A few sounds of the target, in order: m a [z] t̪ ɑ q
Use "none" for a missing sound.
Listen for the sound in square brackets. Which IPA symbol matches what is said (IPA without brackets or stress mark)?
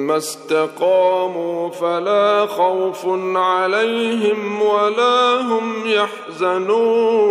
s